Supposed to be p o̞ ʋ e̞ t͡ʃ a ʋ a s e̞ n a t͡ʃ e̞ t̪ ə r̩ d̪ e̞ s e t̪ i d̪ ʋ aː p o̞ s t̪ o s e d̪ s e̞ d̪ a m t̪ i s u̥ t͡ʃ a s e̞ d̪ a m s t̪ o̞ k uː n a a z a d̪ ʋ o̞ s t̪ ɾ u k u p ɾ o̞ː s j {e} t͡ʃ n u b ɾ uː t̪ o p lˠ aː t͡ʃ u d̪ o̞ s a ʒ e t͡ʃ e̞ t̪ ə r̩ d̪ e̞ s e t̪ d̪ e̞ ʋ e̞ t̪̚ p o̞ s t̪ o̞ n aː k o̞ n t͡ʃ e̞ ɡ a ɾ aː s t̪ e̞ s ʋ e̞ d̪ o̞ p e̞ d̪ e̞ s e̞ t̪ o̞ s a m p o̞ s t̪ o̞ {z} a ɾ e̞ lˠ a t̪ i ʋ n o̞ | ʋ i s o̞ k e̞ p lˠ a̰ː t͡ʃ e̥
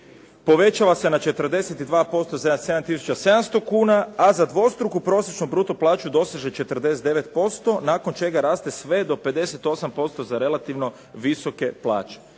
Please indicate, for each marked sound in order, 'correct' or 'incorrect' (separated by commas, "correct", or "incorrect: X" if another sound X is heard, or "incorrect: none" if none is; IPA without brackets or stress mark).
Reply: correct, correct